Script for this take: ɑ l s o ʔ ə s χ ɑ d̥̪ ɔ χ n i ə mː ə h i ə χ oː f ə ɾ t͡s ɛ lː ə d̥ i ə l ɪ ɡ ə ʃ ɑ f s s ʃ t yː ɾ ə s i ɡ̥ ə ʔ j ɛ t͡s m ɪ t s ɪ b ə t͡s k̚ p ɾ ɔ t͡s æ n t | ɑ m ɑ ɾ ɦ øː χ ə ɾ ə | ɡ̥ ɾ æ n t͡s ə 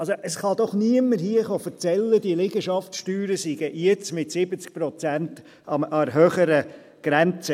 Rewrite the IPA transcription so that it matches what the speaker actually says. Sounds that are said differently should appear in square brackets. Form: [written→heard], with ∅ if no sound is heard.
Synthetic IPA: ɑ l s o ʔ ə s χ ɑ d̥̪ ɔ χ n i ə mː ə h i ə χ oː f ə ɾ t͡s ɛ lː ə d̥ i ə l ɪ ɡ ə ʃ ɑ f [s→t] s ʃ t yː ɾ ə s i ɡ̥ ə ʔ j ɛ t͡s m ɪ t s ɪ b ə t͡s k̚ p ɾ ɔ t͡s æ n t | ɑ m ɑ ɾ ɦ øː χ ə ɾ ə | ɡ̥ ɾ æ n t͡s ə